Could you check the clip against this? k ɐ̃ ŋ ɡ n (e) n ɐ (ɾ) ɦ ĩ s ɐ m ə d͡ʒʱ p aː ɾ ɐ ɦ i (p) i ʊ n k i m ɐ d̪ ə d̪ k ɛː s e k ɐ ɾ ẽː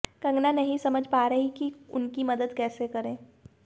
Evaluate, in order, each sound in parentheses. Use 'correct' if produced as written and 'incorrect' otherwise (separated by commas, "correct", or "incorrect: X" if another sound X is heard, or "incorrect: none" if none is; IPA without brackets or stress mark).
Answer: incorrect: a, incorrect: none, incorrect: k